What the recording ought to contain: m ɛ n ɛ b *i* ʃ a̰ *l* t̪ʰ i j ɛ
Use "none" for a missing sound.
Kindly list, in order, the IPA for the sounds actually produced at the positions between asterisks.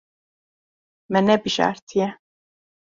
i, ɾ

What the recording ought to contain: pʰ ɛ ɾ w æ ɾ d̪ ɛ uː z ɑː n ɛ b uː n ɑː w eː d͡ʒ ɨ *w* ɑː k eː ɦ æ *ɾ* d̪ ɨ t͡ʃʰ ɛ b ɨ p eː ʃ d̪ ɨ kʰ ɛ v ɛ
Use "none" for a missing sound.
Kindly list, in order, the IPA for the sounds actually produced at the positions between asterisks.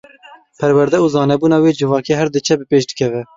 v, ɾ

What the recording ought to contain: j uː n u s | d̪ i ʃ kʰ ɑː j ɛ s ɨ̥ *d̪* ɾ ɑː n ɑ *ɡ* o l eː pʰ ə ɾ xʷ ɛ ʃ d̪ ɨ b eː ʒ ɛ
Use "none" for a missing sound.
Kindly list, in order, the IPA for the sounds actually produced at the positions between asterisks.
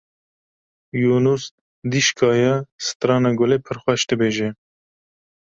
t̪, ɡ

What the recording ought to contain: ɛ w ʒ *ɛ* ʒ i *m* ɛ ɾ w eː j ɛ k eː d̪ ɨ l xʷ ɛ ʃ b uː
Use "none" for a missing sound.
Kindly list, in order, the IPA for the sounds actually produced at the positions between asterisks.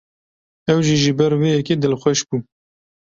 i, b

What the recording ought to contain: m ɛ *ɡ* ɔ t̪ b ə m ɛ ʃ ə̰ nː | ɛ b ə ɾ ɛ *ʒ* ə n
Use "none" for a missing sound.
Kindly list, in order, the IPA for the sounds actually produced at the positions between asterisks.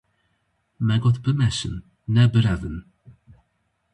ɡ, v

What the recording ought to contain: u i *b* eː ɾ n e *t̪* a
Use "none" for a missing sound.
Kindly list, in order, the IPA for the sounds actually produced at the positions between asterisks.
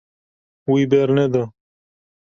b, d̪

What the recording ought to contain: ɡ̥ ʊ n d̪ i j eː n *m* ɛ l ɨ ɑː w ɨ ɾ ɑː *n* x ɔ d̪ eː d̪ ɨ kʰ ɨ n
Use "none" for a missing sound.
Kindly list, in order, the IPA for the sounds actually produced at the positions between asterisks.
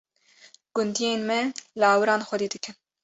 m, n

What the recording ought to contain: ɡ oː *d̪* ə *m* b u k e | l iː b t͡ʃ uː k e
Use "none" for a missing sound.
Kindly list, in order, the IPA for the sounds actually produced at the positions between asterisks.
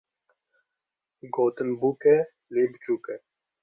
t̪, n

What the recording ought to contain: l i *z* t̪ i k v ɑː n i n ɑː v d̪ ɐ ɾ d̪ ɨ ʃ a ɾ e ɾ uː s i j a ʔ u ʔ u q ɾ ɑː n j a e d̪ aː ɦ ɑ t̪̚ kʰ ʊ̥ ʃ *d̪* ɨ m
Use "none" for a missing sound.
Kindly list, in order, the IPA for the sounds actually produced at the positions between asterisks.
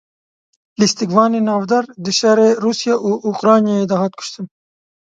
s, t̪

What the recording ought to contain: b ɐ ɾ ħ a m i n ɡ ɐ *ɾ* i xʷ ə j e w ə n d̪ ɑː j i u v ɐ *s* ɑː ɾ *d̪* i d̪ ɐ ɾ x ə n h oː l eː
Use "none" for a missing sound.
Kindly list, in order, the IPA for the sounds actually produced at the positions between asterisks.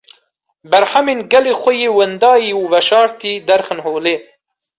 l, ʃ, t̪

